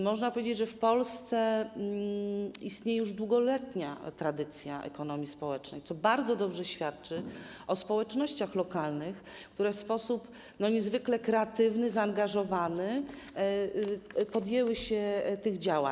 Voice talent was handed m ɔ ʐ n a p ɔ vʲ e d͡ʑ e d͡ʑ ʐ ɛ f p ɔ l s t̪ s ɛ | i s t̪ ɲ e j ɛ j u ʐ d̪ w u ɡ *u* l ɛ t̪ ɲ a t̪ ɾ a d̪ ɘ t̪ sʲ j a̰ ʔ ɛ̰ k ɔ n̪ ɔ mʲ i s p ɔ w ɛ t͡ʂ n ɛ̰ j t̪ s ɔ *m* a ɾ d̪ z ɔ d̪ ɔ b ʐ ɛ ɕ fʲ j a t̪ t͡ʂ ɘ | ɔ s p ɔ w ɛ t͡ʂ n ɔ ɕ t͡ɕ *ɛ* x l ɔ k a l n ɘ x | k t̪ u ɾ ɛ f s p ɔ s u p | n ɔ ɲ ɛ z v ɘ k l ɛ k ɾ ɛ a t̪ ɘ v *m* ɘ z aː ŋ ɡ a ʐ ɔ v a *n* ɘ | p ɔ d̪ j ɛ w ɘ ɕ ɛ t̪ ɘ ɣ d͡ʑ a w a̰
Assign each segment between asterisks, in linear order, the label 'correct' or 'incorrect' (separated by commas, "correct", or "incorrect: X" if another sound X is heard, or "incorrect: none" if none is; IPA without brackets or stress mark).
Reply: incorrect: ɔ, incorrect: b, incorrect: a, incorrect: n, correct